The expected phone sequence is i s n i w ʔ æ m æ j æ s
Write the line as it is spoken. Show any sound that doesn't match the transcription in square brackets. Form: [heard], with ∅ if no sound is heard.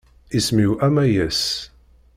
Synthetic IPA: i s [m] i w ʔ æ m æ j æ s